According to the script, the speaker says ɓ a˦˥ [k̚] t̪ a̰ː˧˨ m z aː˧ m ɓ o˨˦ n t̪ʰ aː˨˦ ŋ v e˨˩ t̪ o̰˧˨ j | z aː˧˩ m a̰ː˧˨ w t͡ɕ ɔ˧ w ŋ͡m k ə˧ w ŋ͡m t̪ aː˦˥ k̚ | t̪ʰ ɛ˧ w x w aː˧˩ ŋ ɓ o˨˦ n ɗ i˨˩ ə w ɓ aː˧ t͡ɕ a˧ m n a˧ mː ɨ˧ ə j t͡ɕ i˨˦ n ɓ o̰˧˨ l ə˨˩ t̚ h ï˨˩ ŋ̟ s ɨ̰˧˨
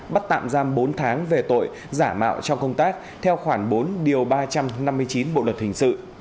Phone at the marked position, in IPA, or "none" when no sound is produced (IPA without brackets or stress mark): t̚